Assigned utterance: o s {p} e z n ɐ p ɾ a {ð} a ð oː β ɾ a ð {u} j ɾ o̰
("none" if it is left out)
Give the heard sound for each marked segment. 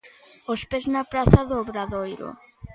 p, θ, o

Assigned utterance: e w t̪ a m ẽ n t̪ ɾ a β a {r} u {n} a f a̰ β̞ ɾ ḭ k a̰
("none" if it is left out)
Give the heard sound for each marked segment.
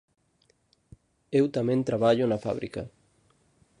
ʎ, n

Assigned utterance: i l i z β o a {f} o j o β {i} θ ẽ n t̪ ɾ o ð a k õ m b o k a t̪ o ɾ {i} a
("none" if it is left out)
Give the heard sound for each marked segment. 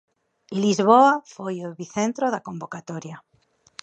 f, i, j

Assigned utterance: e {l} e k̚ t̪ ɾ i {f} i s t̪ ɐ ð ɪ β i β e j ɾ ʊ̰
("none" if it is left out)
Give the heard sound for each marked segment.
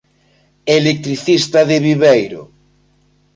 l, θ

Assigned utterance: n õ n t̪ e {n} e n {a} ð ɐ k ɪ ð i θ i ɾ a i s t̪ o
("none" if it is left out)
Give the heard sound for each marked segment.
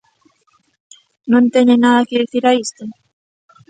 ɲ, a

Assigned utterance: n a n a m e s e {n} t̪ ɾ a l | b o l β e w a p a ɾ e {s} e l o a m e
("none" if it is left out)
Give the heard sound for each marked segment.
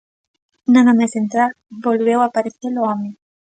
n, θ

